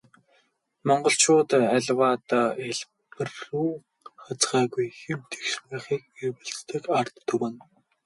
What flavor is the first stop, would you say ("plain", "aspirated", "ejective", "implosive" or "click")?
plain